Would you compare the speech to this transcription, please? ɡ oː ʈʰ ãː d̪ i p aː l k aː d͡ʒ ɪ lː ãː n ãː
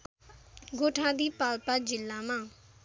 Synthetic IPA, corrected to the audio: ɡ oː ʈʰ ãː d̪ iː p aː l p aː d͡ʒ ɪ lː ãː m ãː